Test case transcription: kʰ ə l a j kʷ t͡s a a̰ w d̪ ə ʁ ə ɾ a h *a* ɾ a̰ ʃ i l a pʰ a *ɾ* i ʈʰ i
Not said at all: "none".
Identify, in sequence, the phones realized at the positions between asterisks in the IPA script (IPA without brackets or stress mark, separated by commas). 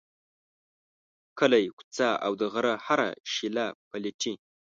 a, l